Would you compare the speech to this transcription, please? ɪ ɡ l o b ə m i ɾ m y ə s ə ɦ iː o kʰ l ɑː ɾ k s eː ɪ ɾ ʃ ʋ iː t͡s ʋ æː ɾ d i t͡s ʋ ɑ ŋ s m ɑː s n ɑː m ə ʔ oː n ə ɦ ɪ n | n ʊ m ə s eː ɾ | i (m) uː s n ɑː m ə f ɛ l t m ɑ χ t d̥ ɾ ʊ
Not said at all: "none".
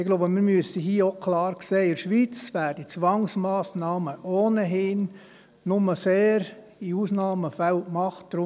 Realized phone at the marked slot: none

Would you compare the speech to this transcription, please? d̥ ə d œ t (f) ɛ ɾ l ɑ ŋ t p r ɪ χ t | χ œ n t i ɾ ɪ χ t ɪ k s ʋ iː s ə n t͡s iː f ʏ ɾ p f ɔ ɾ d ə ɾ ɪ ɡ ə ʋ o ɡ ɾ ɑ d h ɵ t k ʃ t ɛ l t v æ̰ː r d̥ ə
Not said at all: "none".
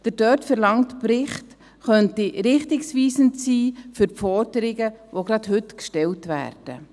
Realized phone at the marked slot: f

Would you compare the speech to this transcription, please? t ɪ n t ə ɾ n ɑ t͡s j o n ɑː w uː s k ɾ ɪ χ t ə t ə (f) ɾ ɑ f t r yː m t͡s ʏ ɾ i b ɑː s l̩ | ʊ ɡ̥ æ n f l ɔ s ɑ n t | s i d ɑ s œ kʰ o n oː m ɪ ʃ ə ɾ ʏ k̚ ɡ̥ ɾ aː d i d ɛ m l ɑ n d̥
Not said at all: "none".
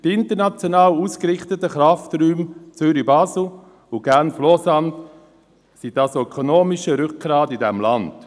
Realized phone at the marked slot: χ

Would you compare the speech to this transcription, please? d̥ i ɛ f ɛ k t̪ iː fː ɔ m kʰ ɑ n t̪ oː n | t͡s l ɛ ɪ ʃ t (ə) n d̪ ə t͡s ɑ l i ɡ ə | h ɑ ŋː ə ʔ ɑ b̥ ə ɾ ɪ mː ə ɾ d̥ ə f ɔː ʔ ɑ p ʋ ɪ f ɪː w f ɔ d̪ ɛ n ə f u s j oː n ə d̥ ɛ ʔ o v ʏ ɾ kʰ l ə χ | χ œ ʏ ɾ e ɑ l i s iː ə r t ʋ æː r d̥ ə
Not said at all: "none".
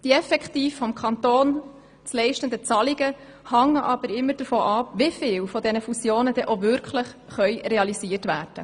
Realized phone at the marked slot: ə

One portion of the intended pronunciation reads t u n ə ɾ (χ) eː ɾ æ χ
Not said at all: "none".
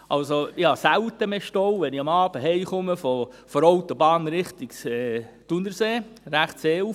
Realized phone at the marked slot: s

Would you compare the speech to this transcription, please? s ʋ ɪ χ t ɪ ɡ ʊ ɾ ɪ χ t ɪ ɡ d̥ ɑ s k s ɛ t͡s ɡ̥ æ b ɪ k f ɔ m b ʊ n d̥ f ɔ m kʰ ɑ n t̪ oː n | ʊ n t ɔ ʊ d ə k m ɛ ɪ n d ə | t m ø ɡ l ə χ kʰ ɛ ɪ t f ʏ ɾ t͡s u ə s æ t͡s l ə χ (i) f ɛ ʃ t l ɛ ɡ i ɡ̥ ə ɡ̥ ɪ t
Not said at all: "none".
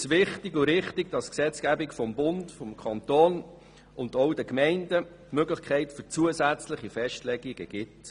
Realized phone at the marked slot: i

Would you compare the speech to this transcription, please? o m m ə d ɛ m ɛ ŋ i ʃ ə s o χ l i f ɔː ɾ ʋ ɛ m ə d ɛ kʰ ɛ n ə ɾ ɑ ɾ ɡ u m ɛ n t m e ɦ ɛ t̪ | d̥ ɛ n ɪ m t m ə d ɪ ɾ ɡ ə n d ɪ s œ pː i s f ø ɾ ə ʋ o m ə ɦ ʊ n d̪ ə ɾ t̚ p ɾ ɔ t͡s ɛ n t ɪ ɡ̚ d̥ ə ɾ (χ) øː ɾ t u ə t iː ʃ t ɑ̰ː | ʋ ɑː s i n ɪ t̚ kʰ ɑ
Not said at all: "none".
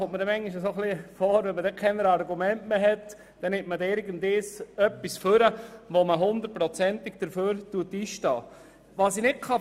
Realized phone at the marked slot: f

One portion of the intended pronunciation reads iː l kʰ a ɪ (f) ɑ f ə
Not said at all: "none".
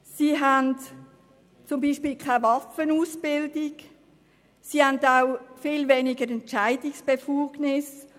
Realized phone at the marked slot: v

